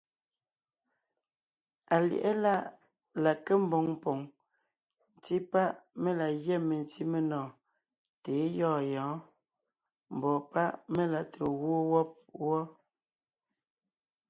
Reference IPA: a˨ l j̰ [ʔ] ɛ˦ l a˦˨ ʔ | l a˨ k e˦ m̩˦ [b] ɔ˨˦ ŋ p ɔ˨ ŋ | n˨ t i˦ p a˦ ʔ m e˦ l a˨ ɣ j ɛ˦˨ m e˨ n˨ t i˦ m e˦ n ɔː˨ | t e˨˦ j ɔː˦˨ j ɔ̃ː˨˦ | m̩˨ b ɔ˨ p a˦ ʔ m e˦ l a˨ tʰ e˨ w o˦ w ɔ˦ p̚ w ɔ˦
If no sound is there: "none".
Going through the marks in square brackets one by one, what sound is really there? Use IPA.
ʔ, b

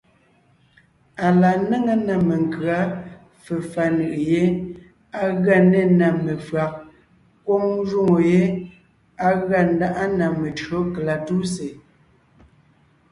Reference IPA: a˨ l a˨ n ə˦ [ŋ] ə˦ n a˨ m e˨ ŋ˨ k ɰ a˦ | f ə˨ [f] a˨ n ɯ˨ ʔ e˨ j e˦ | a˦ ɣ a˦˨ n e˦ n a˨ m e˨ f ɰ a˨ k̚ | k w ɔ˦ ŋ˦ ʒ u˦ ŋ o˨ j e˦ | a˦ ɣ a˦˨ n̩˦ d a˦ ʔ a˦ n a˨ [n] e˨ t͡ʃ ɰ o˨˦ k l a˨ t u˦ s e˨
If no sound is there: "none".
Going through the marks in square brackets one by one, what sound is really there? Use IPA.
ŋ, f, m

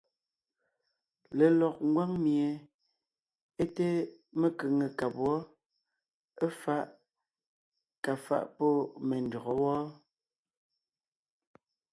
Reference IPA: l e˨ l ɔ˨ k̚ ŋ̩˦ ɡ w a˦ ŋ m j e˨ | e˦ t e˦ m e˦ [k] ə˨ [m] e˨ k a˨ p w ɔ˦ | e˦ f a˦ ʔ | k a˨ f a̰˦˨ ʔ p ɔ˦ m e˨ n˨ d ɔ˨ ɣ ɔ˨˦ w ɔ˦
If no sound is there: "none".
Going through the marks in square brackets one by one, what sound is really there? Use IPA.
k, ŋ

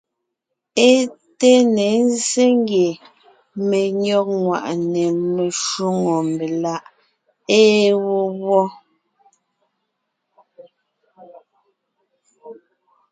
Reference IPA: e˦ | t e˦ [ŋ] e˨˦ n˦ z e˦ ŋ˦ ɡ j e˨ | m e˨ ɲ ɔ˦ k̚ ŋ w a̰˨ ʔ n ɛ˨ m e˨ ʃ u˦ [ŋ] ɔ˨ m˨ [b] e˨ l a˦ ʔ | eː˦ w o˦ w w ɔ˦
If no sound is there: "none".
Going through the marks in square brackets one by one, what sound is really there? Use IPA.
n, ŋ, b

